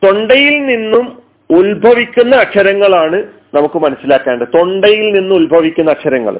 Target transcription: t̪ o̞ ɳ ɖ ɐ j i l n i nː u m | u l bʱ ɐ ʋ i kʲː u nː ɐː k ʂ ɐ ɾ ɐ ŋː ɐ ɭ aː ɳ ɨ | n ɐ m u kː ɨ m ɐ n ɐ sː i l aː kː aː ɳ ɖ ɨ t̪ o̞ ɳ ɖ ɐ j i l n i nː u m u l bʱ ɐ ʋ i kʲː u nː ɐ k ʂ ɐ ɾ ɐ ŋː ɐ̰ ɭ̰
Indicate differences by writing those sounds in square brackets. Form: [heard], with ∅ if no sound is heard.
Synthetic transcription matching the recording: t̪ o̞ ɳ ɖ ɐ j i l n i nː u m | u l bʱ ɐ ʋ i kʲː u nː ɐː k ʂ ɐ ɾ ɐ ŋː ɐ ɭ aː ɳ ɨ | n ɐ m u kː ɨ m ɐ n ɐ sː i l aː kː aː ɳ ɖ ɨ t̪ o̞ ɳ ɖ ɐ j i l n i nː u m u l bʱ ɐ ʋ i kʲː u nː ɐ k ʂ ɐ ɾ ɐ ŋː ɐ̰ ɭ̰